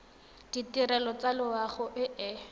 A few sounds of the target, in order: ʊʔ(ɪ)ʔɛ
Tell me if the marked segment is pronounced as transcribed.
yes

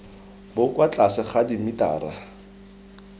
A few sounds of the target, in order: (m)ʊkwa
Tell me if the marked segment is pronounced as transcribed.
no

